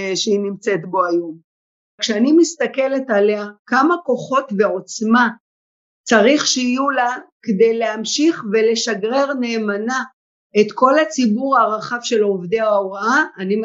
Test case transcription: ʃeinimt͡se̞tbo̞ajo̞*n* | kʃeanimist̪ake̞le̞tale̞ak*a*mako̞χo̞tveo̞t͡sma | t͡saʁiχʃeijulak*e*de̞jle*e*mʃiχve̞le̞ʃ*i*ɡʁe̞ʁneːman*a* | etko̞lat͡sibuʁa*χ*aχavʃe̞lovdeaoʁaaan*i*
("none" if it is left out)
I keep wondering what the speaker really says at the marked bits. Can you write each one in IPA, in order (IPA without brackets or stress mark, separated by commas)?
m, a, e, a, a, a, ʁ, i